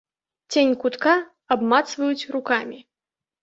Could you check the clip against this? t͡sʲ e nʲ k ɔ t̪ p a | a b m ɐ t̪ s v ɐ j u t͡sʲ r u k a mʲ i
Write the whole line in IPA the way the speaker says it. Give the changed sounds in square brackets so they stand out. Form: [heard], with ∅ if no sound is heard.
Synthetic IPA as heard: t͡sʲ e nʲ k [u] t̪ [k] a | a b m [a] t̪ s v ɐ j u t͡sʲ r u k a mʲ i